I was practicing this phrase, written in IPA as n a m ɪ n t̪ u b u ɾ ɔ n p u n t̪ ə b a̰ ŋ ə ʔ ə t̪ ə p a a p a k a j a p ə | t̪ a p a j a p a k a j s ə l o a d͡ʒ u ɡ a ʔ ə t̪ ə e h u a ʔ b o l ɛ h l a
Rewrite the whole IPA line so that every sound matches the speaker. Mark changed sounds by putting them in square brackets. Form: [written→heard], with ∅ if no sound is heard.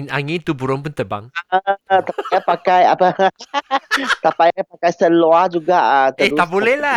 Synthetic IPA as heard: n a [m→ŋ] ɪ n t̪ u b u ɾ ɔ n p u n t̪ ə b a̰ ŋ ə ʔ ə t̪ [ə→a] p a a p a k a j a p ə | t̪ a p a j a p a k a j s ə l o a d͡ʒ u ɡ a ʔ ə t̪ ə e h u a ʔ b o l ɛ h l a